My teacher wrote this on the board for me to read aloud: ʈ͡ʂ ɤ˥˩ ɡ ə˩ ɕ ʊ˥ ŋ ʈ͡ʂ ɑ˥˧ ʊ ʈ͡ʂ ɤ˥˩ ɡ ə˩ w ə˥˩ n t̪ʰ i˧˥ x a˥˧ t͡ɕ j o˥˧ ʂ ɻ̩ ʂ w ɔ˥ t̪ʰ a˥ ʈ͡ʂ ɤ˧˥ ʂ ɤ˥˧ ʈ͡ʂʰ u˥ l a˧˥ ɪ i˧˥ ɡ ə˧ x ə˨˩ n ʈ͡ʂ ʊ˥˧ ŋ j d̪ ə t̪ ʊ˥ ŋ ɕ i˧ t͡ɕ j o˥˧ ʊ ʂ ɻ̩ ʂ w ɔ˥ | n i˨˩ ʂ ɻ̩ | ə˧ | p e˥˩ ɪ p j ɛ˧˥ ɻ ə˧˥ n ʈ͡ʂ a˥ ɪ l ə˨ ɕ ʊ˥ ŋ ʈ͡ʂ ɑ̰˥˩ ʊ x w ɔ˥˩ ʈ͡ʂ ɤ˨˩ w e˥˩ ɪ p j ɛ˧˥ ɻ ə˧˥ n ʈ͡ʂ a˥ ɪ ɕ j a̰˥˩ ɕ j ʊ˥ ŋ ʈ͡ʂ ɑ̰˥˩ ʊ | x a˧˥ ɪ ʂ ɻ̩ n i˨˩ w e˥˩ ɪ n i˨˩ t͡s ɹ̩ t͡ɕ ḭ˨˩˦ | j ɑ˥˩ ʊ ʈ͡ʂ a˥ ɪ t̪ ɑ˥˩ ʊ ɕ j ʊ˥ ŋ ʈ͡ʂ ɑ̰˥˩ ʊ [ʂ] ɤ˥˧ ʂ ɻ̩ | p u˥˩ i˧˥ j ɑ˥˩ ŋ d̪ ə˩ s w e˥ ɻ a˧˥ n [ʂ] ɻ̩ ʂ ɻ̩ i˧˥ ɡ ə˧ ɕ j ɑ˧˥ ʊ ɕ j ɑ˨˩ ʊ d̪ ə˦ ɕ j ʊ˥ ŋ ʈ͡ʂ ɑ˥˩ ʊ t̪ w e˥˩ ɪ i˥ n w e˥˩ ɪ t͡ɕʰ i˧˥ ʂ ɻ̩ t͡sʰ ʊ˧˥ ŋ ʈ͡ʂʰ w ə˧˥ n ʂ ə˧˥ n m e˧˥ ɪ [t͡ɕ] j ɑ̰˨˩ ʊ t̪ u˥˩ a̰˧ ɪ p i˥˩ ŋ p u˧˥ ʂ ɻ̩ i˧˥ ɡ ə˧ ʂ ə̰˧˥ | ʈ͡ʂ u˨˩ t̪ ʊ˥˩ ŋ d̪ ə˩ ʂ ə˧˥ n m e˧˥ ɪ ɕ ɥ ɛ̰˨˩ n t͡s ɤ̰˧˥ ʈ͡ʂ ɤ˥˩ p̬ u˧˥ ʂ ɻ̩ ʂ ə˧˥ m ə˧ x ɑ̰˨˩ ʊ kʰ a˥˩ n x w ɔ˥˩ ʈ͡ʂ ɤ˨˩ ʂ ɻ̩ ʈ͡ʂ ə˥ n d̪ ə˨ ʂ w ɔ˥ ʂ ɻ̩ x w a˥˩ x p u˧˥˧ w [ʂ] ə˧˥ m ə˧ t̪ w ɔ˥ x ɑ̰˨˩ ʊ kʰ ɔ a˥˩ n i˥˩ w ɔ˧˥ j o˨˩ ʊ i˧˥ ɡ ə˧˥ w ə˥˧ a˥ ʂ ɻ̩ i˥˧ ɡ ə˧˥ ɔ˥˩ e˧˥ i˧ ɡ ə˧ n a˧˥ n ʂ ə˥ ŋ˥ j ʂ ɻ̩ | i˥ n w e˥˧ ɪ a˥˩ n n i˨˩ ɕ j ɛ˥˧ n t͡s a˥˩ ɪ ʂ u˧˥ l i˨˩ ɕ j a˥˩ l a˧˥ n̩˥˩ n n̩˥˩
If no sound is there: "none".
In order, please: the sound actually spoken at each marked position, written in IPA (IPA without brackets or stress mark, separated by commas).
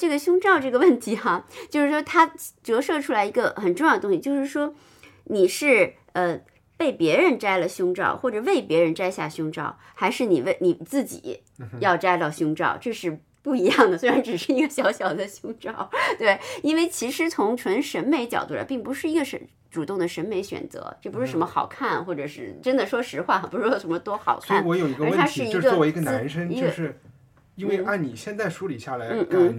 ʈ͡ʂ, ʈ͡ʂ, t͡ɕ, ʂ